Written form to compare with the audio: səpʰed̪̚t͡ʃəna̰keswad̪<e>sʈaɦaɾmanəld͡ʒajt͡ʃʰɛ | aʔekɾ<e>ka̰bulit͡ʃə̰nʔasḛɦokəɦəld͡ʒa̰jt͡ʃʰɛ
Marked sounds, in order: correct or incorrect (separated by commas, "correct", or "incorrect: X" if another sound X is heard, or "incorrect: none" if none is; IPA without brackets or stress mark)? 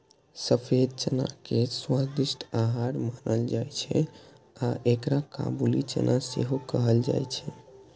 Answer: incorrect: i, incorrect: a